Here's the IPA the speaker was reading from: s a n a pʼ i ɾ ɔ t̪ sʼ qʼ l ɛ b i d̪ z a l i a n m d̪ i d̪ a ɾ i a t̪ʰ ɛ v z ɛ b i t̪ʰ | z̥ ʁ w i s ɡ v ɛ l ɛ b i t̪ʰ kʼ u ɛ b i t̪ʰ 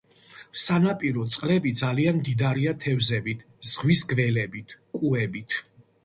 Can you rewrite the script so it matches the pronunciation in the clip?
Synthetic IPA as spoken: s a n a pʼ i ɾ ɔ t̪ sʼ qʼ l ɛ b i d̪ z a l i a n m d̪ i d̪ a ɾ i a t̪ʰ ɛ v z ɛ b i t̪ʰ | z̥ ʁ w i s ɡ v ɛ l ɛ b i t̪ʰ kʼ u ɛ b i t̪ʰ